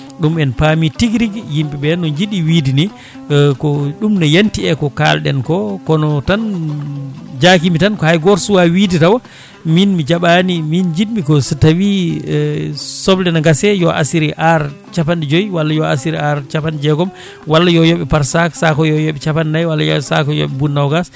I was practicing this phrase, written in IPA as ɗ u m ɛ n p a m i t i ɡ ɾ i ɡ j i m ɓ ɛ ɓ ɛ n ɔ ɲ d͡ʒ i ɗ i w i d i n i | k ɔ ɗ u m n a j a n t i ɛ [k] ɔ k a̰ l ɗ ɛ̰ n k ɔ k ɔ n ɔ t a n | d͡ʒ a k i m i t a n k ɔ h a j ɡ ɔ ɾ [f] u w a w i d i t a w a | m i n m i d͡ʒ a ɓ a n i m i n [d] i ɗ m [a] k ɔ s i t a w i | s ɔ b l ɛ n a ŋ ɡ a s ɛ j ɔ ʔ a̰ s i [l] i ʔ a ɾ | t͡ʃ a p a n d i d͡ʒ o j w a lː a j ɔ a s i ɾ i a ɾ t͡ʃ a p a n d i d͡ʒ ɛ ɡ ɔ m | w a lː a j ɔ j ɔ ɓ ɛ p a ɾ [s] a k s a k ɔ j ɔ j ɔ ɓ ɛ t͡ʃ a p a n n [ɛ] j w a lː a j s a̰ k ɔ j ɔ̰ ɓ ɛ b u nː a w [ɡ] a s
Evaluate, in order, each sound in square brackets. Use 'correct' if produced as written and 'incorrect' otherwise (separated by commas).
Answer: correct, incorrect, incorrect, incorrect, incorrect, correct, incorrect, correct